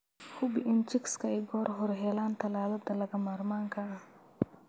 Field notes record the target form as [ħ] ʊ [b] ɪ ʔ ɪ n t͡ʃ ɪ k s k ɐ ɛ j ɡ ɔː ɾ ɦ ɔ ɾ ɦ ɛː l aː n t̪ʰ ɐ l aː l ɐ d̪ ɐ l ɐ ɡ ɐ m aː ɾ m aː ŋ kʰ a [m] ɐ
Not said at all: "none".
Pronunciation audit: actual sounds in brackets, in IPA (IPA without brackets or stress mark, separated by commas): h, b, none